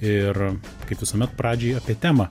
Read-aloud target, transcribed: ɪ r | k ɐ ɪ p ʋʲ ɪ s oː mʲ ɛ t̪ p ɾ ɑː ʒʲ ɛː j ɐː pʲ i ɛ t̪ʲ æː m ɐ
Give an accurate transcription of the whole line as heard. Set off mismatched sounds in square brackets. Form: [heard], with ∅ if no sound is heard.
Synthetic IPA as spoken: ɪ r | k ɐ ɪ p ʋʲ ɪ s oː mʲ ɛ t̪ p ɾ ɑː [d͡ʒʲ] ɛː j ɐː pʲ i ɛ t̪ʲ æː m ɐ